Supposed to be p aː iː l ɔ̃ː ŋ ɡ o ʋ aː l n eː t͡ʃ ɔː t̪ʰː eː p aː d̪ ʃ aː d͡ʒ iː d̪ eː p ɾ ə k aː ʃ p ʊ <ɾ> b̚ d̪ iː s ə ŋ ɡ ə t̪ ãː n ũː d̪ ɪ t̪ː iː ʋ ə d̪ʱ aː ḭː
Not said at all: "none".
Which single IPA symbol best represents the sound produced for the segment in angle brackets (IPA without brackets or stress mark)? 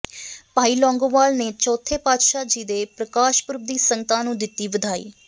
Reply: ɾ